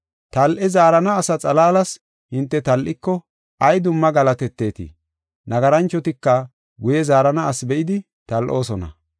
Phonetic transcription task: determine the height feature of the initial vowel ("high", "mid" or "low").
low